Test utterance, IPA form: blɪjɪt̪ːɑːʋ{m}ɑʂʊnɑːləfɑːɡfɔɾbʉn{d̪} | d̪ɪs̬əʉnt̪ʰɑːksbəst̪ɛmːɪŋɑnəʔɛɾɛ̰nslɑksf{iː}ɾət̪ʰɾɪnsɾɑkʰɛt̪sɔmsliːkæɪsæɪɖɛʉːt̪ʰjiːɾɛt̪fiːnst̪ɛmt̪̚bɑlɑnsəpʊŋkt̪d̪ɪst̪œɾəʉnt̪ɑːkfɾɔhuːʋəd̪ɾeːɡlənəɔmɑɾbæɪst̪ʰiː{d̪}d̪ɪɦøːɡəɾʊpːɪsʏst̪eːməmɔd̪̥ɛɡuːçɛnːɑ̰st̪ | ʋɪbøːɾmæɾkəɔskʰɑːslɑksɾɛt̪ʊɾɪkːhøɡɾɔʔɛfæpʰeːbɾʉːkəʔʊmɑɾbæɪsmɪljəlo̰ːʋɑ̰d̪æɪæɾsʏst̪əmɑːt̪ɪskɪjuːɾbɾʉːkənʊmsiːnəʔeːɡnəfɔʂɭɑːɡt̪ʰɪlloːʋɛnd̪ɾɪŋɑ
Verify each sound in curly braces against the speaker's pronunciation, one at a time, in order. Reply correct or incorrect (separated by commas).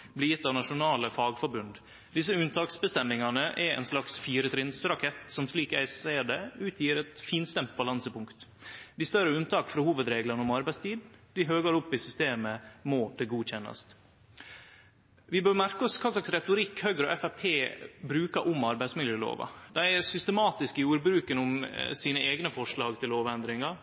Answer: incorrect, correct, correct, correct